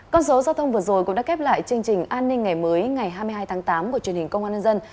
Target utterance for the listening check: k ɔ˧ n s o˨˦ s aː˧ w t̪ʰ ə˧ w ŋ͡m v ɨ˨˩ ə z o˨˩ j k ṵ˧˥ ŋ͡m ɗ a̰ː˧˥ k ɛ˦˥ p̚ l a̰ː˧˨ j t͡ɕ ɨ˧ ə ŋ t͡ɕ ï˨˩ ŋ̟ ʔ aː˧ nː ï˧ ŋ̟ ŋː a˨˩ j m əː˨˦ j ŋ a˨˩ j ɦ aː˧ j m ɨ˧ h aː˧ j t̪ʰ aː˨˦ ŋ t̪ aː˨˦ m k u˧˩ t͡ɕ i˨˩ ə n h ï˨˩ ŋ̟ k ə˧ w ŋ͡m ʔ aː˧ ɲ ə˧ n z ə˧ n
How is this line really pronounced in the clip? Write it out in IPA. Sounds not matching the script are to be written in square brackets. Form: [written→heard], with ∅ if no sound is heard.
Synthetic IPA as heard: k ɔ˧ n s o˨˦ [s→z] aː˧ w t̪ʰ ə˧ w ŋ͡m v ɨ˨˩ ə z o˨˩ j k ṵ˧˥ ŋ͡m ɗ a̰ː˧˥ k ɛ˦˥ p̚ l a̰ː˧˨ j t͡ɕ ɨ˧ ə ŋ t͡ɕ ï˨˩ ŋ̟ ʔ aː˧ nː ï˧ ŋ̟ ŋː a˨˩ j m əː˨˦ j ŋ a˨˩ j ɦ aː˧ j m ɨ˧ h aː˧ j t̪ʰ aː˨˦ ŋ t̪ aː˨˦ m k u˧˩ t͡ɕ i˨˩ ə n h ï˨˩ ŋ̟ k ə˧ w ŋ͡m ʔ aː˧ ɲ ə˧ n z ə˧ n